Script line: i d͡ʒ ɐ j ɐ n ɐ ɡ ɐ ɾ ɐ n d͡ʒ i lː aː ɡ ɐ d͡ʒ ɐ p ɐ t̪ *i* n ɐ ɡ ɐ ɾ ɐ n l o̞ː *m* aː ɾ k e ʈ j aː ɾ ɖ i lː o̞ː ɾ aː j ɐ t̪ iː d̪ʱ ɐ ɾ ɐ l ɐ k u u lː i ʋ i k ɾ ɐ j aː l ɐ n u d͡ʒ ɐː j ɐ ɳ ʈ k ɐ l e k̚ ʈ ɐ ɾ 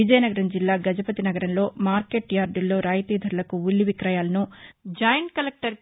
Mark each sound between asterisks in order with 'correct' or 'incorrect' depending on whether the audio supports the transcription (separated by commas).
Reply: correct, correct